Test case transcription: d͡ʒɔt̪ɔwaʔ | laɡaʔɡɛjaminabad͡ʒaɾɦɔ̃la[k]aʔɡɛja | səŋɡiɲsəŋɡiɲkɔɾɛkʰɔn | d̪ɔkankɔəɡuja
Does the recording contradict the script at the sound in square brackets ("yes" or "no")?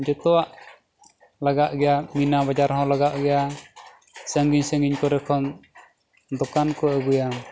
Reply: yes